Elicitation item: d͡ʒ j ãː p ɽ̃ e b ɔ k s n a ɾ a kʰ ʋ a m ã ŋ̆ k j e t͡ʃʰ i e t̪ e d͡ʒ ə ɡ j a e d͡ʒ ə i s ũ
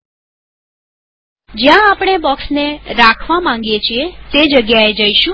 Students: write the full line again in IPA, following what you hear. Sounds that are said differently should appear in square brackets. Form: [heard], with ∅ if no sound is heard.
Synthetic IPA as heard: d͡ʒ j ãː p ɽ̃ e b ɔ k s n [e] ɾ a kʰ ʋ a m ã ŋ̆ [ɡ] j e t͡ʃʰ i e t̪ e d͡ʒ ə ɡ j a e d͡ʒ ə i [ʃ] ũ